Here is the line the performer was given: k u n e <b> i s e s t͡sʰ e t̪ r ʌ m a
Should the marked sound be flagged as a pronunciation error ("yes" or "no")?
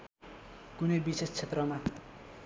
no